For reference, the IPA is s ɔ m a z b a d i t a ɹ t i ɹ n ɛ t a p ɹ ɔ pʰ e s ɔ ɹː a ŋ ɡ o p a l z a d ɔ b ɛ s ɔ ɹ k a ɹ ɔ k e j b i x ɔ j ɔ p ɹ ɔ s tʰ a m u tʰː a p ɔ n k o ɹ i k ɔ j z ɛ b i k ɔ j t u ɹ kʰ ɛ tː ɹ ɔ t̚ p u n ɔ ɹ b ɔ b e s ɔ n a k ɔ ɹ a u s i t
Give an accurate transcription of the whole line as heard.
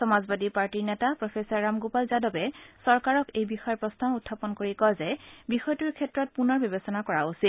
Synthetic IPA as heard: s ɔ m a z b a d i p a ɹ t i ɹ n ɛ t a p ɹ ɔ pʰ e s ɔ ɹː a m ɡ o p a l z a d ɔ b ɛ s ɔ ɹ k a ɹ ɔ k e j b i x ɔ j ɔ p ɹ ɔ s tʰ a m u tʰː a p ɔ n k o ɹ i k ɔ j z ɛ b i x ɔ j t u ɹ kʰ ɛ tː ɹ ɔ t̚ p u n ɔ ɹ b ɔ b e s ɔ n a k ɔ ɹ a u s i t